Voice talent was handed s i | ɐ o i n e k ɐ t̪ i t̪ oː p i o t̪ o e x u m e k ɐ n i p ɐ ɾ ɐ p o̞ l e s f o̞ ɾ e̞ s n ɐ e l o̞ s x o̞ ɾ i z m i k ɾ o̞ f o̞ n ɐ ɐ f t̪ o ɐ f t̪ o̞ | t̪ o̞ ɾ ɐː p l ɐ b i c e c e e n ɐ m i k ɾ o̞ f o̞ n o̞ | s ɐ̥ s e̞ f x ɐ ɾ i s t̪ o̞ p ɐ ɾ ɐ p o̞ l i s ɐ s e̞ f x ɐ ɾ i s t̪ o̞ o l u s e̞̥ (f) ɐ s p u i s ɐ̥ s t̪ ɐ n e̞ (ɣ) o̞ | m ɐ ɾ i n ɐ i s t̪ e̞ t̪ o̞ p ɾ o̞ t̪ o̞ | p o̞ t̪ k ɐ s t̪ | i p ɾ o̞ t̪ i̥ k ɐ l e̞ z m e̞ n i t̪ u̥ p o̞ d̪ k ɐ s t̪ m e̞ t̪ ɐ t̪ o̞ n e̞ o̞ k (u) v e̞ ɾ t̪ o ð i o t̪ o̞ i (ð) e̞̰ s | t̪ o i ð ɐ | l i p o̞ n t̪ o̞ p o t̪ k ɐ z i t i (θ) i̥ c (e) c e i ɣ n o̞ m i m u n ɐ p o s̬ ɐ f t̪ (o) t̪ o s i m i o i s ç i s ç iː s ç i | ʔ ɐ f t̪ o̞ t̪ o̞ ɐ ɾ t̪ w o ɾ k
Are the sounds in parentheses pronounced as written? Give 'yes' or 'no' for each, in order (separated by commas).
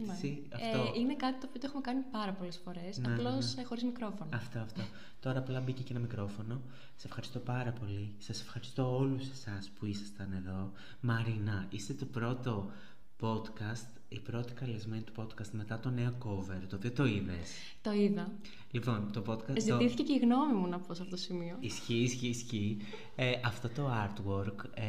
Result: no, no, no, yes, yes, yes, yes